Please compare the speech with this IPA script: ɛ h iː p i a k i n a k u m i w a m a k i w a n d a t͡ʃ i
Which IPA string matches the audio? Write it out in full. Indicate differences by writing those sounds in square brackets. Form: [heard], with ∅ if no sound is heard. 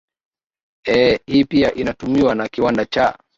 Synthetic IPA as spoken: ɛ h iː p i a [ʔ] i n a [t] u m i w a [n] a k i w a n d a t͡ʃ [a]